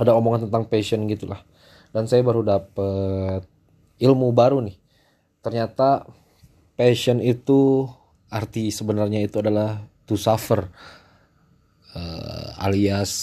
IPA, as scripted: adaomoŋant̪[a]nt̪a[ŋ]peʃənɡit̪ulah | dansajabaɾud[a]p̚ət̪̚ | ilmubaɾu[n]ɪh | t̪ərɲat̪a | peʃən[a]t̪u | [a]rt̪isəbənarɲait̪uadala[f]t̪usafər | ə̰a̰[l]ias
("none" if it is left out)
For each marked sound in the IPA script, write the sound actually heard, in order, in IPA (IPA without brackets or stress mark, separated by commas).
ə, ŋ, a, n, i, a, h, l